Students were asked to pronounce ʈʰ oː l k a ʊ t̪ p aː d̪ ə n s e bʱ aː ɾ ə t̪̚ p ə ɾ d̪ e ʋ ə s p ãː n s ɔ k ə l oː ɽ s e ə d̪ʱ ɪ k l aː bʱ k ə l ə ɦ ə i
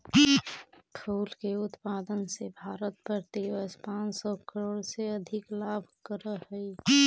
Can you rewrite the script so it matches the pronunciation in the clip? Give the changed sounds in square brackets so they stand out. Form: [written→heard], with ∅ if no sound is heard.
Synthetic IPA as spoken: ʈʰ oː l k [a→e] ʊ t̪ p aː d̪ ə n s e bʱ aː ɾ ə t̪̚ p ə ɾ [d̪→t̪] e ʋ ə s p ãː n s ɔ k ə [l→ɾ] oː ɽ s e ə d̪ʱ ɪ k l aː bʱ k ə [l→ɾ] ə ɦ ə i